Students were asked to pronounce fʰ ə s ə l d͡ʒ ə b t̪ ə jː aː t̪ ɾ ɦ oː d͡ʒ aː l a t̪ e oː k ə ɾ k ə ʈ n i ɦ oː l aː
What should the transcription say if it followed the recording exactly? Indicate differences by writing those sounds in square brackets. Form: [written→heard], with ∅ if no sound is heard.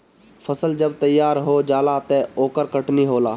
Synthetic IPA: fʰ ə s ə l d͡ʒ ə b t̪ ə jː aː [t̪→∅] ɾ ɦ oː d͡ʒ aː l a t̪ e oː k ə ɾ k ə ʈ n i ɦ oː l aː